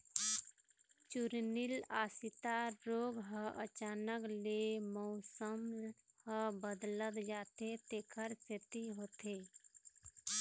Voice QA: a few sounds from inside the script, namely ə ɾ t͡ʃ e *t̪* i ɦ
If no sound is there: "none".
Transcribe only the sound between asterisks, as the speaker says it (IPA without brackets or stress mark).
t̪